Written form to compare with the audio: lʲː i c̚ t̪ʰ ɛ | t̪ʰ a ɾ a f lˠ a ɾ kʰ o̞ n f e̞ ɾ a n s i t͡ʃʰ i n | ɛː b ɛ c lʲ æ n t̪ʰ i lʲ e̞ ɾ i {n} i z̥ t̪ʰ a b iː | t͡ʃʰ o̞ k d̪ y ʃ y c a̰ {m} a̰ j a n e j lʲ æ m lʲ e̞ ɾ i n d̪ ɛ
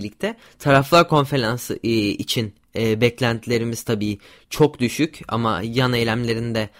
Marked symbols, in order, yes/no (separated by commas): no, yes